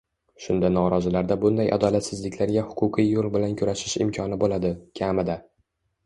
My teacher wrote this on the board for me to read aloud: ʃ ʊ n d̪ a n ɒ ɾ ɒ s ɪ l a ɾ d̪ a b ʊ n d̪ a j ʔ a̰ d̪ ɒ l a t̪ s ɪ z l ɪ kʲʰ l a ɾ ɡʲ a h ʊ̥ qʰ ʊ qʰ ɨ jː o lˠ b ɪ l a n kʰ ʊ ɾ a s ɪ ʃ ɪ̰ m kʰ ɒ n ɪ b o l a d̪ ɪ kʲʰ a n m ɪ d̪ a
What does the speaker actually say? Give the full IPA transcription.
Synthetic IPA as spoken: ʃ ʊ n d̪ a n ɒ ɾ ɒ z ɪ l a ɾ d̪ a b ʊ n d̪ a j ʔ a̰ d̪ ɒ l a t̪ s ɪ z l ɪ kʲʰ l a ɾ ɡʲ a h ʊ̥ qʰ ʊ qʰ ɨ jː o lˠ b ɪ l a n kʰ ʊ ɾ a ʃ ɪ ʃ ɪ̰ m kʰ ɒ n ɪ b o l a d̪ ɪ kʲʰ a m ɪ d̪ a